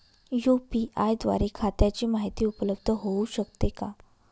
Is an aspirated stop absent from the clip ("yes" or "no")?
no